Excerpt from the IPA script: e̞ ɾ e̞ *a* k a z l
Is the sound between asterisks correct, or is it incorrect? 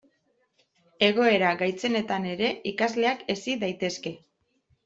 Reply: incorrect